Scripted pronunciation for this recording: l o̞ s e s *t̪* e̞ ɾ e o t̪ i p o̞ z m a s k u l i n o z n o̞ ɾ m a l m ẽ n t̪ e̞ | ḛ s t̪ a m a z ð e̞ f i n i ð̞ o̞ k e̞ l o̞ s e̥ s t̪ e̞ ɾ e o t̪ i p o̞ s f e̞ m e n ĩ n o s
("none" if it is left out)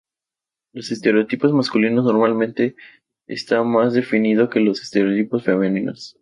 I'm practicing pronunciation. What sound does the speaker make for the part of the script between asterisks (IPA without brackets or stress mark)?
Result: t̪